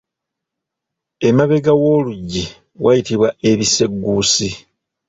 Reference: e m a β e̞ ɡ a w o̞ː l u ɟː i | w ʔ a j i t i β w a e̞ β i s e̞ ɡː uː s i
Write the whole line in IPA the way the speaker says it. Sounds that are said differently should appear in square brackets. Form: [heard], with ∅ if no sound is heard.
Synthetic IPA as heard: e m a β e̞ ɡ a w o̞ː l u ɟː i | w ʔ a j i t i β w a e̞ β i s e̞ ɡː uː s i